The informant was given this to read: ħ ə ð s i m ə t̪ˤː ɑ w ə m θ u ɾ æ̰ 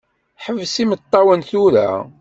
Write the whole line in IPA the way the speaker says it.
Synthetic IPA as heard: ħ ə v s i m ə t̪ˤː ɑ w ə n θ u ɾ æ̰